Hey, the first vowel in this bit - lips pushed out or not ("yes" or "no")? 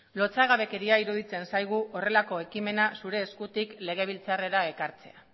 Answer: yes